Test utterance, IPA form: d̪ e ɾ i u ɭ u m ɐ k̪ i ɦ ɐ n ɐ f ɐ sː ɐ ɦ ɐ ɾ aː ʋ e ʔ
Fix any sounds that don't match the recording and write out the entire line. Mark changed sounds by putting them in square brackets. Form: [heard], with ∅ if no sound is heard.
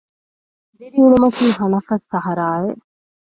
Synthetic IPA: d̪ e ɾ i u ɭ u m ɐ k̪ [iː] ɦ ɐ n ɐ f ɐ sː ɐ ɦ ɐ ɾ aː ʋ e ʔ